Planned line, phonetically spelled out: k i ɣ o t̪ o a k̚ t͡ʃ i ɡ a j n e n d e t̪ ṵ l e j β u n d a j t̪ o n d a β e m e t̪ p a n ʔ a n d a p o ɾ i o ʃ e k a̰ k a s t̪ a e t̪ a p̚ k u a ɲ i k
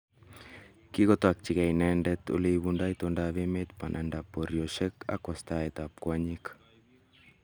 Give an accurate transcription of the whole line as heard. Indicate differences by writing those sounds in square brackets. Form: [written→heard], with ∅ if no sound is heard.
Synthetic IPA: k i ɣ o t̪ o a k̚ t͡ʃ i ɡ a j n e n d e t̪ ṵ l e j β u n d a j t̪ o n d a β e m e t̪ p a n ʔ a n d a p o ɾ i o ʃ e k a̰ k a s t̪ a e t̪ a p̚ k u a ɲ i k

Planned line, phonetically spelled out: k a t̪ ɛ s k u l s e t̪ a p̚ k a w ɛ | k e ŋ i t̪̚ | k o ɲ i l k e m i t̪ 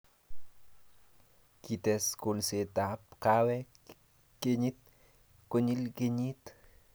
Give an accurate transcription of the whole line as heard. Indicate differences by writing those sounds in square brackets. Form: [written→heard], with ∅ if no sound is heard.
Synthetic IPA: k [a→i] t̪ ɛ s k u l s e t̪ a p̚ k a w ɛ | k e [ŋ→ɲ] i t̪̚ | k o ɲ i l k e [m→ɲ] i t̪

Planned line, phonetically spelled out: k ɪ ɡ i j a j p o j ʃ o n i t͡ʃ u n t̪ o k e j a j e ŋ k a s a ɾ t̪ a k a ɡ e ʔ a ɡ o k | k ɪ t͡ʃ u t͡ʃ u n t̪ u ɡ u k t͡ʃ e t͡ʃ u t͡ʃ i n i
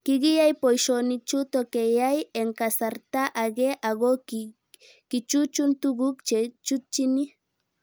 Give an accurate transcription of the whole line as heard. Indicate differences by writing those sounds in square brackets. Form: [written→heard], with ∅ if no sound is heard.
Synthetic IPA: k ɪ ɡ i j a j p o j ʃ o n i t͡ʃ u [n→∅] t̪ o k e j a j e ŋ k a s a ɾ t̪ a [k→ʔ] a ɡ e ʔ a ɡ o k | k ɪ t͡ʃ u t͡ʃ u n t̪ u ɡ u k t͡ʃ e t͡ʃ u t͡ʃ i n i

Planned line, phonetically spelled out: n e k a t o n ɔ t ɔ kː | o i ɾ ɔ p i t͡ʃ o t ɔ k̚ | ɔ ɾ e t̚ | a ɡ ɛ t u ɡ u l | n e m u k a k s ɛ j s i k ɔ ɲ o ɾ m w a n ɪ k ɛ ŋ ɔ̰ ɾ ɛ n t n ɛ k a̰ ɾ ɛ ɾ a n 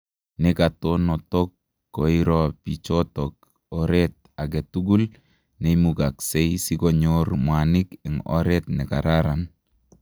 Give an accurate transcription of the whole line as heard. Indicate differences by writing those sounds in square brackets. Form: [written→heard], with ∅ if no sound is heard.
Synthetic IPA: n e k a t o n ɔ t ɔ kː | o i ɾ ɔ p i t͡ʃ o t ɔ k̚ | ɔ ɾ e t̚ | a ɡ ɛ t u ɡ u l | n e m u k a k s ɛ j s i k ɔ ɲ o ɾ m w a n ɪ k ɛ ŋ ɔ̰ ɾ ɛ [n→∅] t n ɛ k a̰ ɾ [ɛ→a] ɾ a n

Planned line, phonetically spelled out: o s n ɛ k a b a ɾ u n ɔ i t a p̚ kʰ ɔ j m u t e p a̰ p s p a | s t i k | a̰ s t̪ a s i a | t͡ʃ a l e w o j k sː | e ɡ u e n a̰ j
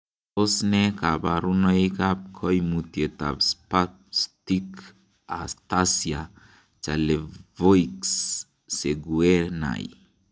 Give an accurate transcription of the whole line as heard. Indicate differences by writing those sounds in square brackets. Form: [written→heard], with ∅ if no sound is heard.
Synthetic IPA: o s n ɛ k a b a ɾ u n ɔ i [t→k] a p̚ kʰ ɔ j m u t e [p→t] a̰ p s p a | s t i k | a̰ s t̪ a s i a | t͡ʃ a l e [w→v] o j k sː | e ɡ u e n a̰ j

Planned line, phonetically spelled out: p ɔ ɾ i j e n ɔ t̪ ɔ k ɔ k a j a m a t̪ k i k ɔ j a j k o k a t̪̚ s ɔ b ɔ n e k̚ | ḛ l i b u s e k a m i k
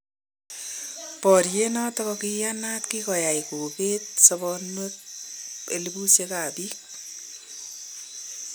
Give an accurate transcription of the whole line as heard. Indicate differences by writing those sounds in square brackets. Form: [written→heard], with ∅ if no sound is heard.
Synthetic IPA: p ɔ ɾ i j e n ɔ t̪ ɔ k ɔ k [a→i] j a [m→n] a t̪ k i k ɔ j a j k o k [a→e] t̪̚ s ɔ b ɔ n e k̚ | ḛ l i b u s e k a [m→b] i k

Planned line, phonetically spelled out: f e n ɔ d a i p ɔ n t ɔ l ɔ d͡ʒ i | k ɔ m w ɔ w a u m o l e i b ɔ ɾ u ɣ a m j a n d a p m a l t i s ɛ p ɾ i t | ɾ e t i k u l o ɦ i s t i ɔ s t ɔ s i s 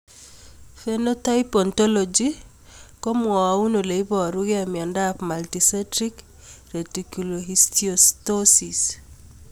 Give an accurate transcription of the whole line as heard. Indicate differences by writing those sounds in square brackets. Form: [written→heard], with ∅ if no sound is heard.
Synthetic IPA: f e n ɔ [d→t] a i p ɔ n t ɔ l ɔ d͡ʒ i | k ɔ m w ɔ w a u [m→n] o l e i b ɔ ɾ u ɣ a m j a n d a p m a l t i s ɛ [p→t] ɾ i [t→k] | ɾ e t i k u l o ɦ i s t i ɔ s t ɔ s i s

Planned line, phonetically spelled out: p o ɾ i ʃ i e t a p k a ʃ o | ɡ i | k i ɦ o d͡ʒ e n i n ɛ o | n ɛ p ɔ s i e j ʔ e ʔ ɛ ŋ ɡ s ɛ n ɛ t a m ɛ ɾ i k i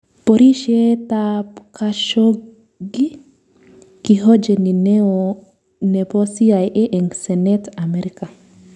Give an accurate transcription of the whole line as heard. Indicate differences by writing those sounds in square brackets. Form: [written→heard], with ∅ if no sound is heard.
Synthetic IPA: p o ɾ i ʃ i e t a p k a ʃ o | ɡ i | k i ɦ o d͡ʒ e n i n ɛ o | n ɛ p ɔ s i [e→a] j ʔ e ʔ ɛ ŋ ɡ s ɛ n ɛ t a m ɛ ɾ i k [i→a]

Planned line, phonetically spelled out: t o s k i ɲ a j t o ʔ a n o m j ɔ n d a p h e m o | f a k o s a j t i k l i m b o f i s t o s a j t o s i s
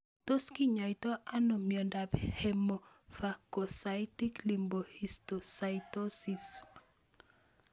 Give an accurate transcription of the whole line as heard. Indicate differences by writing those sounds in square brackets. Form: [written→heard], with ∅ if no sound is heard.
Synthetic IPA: t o s k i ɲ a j t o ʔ a n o m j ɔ n d a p h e m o | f a k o s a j t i k l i m b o [f→h] i s t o s a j t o s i s

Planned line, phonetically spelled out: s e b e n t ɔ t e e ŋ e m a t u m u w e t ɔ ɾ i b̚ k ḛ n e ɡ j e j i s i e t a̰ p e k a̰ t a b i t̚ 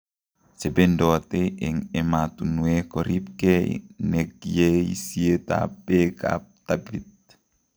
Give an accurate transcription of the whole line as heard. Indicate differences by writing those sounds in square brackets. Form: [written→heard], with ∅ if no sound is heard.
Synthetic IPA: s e b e n [t→d] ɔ t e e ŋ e m a t u [m→n] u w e [t→k] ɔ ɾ i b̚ k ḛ n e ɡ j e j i s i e t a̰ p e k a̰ t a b i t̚

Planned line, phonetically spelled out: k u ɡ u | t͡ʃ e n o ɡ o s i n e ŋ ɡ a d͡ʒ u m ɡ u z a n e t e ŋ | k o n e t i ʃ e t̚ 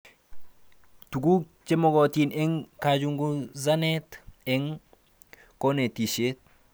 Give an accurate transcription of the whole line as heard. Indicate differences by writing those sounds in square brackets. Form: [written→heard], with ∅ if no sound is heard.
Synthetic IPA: [k→t] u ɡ u | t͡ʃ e [n→m] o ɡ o [s→t] i n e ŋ [ɡ→k] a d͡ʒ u [m→ŋ] ɡ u z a n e t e ŋ | k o n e t i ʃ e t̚

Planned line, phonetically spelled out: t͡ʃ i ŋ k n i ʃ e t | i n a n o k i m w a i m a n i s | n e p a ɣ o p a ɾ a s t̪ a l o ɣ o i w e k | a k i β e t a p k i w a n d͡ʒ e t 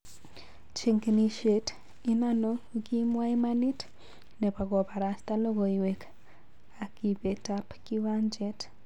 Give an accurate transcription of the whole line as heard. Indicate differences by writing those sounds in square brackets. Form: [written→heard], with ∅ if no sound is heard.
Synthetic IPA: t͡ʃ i ŋ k n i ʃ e t | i n a n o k i m w a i m a n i [s→t] | n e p a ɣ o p a ɾ a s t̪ a l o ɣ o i w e k | a k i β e t a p k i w a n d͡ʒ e t

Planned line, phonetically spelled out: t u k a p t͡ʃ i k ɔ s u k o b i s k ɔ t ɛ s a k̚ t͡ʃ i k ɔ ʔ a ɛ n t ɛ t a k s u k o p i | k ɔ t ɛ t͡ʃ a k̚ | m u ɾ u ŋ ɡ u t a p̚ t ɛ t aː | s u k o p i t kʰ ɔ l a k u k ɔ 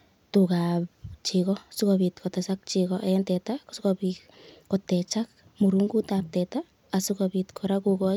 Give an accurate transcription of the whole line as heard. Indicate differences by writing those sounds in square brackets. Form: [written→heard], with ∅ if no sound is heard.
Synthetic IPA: t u k a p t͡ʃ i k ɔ s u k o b i [s→t] k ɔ t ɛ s a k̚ t͡ʃ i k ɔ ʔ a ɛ n t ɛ t a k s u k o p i | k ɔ t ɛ t͡ʃ a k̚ | m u ɾ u ŋ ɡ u t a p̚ t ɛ t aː | s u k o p i t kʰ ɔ [l→ɾ] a k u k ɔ

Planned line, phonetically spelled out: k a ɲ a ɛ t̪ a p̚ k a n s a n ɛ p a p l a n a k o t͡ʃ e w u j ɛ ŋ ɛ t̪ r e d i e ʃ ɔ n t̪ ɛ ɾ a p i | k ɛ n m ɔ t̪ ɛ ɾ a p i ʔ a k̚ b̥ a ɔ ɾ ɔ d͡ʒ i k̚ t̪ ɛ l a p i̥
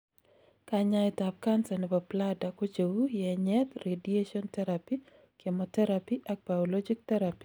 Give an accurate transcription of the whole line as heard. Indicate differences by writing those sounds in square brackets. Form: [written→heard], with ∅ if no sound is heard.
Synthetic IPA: k a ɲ a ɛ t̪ a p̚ k a n s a n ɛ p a p l a [n→d] a k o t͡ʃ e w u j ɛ [ŋ→ɲ] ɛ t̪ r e d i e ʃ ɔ n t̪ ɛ ɾ a p i | k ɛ [n→∅] m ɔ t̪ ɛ ɾ a p i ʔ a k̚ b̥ a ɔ [ɾ→l] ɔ d͡ʒ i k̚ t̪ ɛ [l→ɾ] a p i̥

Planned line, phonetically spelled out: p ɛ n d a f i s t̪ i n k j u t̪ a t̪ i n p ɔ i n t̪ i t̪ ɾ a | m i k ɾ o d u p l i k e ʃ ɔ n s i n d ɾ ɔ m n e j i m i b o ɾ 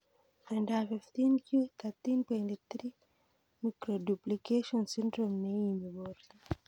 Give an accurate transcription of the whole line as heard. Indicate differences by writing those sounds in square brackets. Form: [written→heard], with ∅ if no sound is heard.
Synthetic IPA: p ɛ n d a f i [s→f] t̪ i n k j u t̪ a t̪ i n p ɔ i n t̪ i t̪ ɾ [a→i] | m i k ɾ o d u p l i k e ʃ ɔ n s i n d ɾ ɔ m n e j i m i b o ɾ

